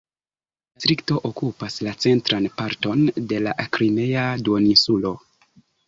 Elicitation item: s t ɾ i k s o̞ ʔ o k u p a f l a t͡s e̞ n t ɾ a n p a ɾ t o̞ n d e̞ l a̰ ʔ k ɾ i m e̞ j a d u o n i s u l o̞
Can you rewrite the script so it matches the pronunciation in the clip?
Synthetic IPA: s t ɾ i k t o̞ ʔ o k u p a s l a t͡s e̞ n t ɾ a n p a ɾ t o̞ n d e̞ l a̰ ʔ k ɾ i m e̞ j a d u o n i s u l o̞

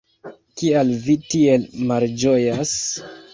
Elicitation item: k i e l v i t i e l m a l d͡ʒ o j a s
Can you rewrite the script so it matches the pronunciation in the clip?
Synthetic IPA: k i a l v i t i e l m a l d͡ʒ o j a s

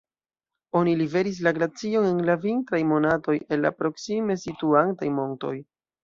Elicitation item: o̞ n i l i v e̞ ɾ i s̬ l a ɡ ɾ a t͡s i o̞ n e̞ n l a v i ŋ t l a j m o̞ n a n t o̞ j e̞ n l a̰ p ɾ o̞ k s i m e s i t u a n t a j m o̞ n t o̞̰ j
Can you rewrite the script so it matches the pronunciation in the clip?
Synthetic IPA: o̞ n i l i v e̞ ɾ i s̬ l a ɡ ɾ a t͡s i o̞ n e̞ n l a v i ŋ t ɾ a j m o̞ n a t o̞ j e̞ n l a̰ p ɾ o̞ k s i m e s i t u a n t a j m o̞ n t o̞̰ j

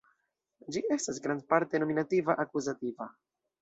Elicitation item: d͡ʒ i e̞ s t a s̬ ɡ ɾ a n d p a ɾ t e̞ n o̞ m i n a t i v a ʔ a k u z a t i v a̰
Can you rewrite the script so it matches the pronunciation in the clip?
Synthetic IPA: d͡ʒ i e̞ s t a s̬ ɡ ɾ a n d p a ɾ t e̞ n o̞ m i n a t i v a ʔ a k u z a t i v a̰

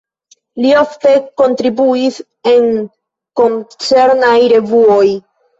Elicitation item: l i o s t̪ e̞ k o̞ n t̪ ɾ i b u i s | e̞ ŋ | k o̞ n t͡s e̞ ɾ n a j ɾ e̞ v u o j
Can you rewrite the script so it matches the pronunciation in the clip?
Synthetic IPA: l i o f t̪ e̞ k o̞ n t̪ ɾ i b u i s | e̞ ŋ | k o̞ n t͡s e̞ ɾ n a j ɾ e̞ v u o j

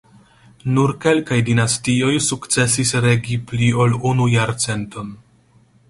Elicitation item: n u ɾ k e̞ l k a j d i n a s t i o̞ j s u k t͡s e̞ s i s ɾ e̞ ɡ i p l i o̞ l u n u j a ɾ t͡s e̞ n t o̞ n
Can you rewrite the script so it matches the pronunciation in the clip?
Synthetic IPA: n u ɾ k e̞ l k a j d i n a s t i o̞ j s u k t͡s e̞ s i s ɾ e̞ ɡ i p l i o̞ l u n u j a ɾ t͡s e̞ n t o̞ n

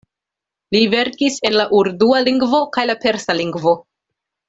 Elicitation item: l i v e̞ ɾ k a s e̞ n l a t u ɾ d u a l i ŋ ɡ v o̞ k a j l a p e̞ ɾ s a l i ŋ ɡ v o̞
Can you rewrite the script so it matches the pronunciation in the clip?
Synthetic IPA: l i v e̞ ɾ k i s e̞ n l a ʔ u ɾ d u a l i ŋ ɡ v o̞ k a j l a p e̞ ɾ s a l i ŋ ɡ v o̞

